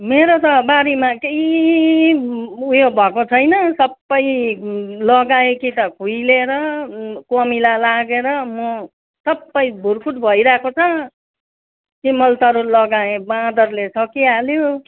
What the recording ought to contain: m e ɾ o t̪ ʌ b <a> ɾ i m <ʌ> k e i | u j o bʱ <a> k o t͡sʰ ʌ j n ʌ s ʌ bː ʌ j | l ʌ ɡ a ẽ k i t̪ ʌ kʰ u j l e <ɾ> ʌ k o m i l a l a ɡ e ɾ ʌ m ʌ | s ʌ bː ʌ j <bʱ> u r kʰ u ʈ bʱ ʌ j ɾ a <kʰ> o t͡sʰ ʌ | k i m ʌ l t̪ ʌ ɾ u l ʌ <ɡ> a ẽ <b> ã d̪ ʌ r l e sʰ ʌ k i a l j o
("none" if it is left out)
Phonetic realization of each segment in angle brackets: a, a, ʌ, ɾ, bʱ, k, ɡ, b

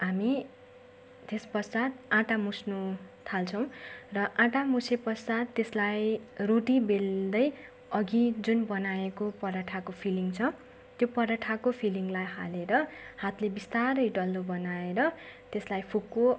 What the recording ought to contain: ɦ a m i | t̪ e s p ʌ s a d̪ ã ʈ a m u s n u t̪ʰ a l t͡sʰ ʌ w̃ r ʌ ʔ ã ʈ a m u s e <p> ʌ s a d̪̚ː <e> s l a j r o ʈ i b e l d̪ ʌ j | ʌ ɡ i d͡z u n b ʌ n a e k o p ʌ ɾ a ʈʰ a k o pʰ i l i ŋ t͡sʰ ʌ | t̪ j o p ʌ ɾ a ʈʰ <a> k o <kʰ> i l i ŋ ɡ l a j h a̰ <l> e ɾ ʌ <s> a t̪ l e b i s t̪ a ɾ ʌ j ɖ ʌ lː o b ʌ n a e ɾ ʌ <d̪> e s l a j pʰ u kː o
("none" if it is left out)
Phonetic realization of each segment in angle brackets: p, e, a, pʰ, l, h, t̪

